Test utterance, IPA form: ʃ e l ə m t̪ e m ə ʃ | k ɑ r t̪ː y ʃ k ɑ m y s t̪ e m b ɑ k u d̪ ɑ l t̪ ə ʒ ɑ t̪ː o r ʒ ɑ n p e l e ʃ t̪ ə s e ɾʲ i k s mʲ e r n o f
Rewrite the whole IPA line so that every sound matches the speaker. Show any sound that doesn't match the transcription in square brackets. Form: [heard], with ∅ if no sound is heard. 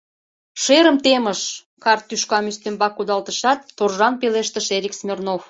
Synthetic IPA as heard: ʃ e [ɾ] ə m t̪ e m ə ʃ | k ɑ r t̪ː y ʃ k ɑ m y s t̪ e m b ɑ k u d̪ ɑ l t̪ ə [ʃ] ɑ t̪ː o r ʒ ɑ n p e l e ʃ t̪ ə [ʃ] e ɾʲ i k s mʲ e r n o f